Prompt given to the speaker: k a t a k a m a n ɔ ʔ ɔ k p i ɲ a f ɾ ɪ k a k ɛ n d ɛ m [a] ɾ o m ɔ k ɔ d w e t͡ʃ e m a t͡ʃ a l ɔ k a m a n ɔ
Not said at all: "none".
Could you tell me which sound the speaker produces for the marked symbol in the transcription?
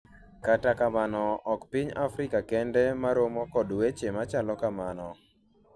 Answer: a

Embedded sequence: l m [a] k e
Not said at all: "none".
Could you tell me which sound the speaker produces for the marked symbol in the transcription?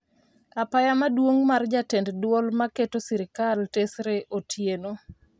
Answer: a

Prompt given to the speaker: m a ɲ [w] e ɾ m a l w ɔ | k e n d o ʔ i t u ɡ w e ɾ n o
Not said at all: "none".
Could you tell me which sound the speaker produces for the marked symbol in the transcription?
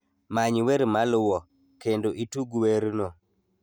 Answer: w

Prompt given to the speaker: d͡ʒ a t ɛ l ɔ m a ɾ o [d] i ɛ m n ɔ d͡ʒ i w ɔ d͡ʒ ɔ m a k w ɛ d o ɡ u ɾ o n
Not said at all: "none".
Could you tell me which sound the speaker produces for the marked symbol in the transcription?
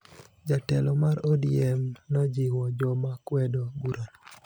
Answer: d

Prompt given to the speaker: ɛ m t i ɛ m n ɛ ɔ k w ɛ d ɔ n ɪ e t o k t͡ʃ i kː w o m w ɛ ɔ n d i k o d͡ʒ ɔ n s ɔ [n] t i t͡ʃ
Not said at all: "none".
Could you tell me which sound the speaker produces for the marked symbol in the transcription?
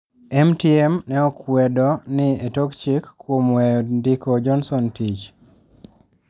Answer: n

